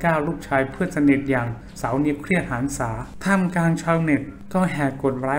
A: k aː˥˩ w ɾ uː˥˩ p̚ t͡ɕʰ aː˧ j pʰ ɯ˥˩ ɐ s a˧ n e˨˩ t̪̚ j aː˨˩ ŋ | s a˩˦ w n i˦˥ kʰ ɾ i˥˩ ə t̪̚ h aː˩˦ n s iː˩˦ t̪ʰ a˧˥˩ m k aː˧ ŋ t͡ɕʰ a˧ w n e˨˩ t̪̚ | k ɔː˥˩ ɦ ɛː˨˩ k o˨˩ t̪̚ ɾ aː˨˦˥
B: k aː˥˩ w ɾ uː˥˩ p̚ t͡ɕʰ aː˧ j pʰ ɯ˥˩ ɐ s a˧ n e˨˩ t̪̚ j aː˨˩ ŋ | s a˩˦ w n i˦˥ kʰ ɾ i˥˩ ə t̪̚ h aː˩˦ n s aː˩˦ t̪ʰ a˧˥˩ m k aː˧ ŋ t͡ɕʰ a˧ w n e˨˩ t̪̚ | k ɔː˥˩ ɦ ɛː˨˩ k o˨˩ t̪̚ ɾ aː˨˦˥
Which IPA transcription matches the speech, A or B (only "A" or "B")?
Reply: B